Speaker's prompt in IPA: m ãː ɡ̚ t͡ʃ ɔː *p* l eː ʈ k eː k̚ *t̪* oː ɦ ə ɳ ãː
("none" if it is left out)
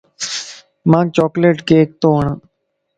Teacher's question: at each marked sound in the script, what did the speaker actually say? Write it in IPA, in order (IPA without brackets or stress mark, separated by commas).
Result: k, t̪